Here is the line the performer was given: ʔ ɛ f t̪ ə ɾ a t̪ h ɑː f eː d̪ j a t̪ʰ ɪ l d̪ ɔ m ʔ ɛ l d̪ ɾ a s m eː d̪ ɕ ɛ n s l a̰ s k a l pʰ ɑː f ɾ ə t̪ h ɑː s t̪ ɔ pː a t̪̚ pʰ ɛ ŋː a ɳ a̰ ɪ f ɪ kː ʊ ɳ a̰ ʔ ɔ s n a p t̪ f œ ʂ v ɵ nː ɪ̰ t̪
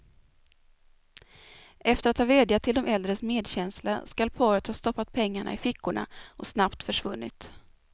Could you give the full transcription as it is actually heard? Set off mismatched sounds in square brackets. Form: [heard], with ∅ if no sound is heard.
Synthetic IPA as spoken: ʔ ɛ f t̪ ə ɾ a t̪ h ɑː [v] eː d̪ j a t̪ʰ ɪ l d̪ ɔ m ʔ ɛ l d̪ ɾ [ə] s m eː d̪ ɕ ɛ n s l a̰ s k a l pʰ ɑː [∅] ɾ ə t̪ h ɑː s t̪ ɔ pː a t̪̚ pʰ ɛ ŋː a ɳ a̰ ɪ f ɪ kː ʊ ɳ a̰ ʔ ɔ s n a p t̪ f œ ʂ v ɵ nː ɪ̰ t̪